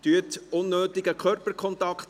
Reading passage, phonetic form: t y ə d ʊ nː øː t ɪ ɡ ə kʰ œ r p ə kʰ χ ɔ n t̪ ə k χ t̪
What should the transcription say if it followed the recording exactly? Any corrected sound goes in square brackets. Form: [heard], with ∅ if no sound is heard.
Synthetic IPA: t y ə [t] ʊ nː øː t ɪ ɡ ə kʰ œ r p ə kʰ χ ɔ n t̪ [ɑ] k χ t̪